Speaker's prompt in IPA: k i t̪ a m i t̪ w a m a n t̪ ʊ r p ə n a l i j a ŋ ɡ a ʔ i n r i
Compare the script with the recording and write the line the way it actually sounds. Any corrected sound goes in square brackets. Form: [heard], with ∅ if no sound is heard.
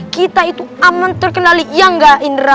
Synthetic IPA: k i t̪ a [∅] i t̪ [u] a m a n t̪ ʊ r [k] ə n a l i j a ŋ ɡ a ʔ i n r [a]